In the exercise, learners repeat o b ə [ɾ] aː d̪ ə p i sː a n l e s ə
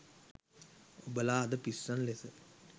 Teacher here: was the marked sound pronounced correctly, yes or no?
no